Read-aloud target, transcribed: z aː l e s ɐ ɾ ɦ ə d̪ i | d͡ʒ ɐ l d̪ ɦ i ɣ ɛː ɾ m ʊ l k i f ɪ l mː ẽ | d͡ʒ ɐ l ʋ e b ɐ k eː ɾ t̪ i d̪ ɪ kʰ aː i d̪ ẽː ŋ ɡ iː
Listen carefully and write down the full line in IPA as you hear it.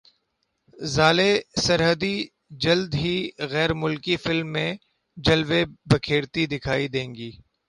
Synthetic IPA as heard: z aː l e s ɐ ɾ ɦ ə d̪ i | d͡ʒ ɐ l d̪ ɦ i ɣ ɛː ɾ m ʊ l k i f ɪ l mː ẽ | d͡ʒ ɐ l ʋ e b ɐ kʰ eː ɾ t̪ i d̪ ɪ kʰ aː i d̪ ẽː ŋ ɡ iː